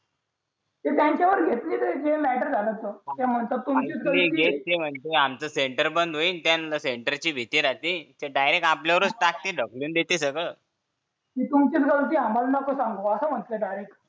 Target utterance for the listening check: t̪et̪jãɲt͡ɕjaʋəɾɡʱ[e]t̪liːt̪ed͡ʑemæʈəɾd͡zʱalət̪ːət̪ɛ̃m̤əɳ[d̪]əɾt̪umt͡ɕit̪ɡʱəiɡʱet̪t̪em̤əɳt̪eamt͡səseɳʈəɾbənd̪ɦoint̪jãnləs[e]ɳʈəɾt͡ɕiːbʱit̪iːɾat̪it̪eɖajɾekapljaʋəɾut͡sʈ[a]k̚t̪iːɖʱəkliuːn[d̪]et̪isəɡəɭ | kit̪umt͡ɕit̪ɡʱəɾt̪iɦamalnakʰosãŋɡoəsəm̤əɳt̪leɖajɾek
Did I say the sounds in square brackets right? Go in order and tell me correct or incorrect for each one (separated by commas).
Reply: correct, incorrect, correct, correct, correct